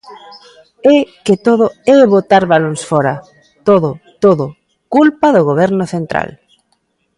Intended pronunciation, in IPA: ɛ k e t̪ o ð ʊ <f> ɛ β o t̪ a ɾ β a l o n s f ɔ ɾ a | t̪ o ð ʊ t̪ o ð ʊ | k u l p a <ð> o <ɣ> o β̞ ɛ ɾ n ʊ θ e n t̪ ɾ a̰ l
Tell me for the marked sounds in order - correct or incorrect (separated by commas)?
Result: incorrect, correct, correct